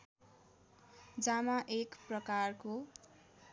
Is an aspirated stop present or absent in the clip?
absent